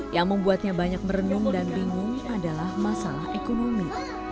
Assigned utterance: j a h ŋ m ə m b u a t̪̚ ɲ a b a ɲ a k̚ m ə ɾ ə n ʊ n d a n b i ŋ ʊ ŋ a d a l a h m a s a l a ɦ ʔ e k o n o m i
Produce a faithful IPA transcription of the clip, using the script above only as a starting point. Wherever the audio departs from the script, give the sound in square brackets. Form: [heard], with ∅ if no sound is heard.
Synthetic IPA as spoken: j a [∅] ŋ m ə m b u a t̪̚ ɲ a b a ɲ a k̚ m ə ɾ ə n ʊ [ŋ] d a n b i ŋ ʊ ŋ a d a l a h m a s a l a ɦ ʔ e k o n o m i